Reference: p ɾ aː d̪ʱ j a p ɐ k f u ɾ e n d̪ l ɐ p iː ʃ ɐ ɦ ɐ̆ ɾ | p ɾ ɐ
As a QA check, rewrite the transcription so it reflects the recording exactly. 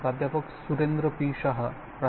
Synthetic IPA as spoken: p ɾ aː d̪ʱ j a p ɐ k s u ɾ e n d̪ ɾ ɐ p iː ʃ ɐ ɦ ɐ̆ | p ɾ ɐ